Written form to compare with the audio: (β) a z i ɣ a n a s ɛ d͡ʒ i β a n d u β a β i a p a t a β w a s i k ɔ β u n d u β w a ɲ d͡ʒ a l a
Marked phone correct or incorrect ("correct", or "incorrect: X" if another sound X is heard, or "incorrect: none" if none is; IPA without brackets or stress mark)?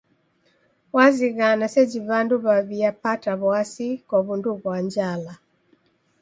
incorrect: w